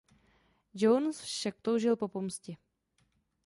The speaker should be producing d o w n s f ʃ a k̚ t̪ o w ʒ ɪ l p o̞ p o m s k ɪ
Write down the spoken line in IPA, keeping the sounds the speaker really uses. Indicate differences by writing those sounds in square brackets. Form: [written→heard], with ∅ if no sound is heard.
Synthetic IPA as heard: [d→d͡ʒ] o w n s f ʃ a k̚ t̪ o w ʒ ɪ l p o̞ p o m s [k→c] ɪ